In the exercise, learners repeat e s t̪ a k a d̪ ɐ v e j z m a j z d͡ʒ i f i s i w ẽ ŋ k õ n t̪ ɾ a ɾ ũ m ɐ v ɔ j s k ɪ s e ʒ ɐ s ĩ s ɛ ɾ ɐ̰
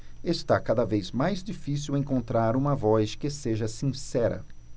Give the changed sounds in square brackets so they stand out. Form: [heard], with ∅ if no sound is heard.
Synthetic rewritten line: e s t̪ a k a d̪ ɐ v e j z m a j z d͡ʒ i f i s i w ẽ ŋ k õ n t̪ ɾ a ɾ ũ m ɐ v ɔ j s k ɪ s e ʒ ɐ s ĩ s ɛ ɾ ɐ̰